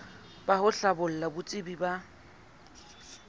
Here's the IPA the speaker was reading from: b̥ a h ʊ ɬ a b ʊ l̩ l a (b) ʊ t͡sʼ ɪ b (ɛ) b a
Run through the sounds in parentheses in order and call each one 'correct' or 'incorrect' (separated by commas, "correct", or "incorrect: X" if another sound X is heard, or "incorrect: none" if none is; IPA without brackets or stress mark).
correct, incorrect: i